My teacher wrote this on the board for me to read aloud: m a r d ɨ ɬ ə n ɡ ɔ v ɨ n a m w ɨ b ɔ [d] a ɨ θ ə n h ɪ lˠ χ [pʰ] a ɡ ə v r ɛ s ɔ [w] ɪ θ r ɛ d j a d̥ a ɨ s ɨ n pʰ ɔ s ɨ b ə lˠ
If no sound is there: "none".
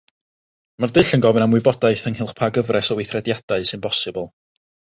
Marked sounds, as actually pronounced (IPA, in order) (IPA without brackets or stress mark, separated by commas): d, pʰ, w